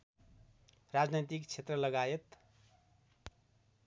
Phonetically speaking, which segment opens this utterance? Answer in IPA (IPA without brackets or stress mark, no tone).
r